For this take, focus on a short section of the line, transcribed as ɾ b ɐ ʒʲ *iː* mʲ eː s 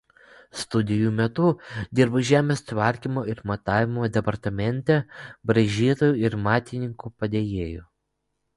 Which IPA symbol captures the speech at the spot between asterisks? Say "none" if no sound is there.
æː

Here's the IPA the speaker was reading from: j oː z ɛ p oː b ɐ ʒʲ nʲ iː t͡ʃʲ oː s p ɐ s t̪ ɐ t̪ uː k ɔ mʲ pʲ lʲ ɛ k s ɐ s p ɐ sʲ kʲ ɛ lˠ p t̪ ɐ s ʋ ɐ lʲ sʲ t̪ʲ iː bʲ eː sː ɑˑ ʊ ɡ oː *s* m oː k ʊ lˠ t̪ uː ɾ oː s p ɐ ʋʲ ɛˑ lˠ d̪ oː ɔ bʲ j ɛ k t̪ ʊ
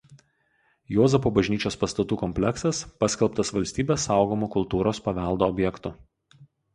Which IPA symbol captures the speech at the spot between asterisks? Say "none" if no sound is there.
none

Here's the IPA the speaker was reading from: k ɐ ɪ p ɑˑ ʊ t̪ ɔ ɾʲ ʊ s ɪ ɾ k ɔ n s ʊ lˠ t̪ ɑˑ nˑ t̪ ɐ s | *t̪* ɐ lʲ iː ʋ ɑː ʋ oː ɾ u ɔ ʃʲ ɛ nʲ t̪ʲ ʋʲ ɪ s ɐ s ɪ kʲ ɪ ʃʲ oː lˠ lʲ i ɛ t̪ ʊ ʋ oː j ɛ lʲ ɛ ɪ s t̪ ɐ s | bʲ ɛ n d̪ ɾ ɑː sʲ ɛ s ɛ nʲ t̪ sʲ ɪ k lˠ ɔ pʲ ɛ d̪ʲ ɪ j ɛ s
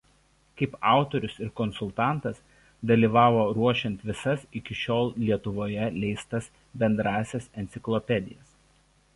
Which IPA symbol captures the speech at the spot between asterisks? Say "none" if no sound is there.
d̪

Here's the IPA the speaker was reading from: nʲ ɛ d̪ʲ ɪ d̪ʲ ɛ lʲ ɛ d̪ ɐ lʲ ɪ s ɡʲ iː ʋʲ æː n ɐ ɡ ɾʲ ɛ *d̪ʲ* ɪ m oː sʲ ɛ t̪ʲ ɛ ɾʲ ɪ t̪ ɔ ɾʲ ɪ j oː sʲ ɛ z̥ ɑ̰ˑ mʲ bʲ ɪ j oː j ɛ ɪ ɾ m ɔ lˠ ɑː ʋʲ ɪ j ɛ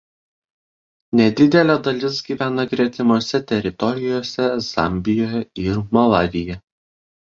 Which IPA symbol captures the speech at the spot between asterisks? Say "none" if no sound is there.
t̪ʲ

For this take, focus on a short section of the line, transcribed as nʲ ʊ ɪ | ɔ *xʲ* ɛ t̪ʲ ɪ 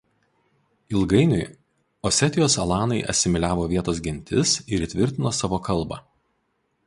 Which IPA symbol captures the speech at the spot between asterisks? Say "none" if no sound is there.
sʲ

